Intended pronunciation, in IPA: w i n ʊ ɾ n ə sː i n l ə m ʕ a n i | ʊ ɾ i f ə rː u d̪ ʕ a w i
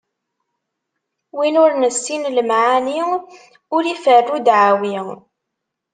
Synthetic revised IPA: w i n ʊ ɾ n ə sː i n l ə m ʕ a n i | ʊ ɾ i f ə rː u d̪ ʕ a w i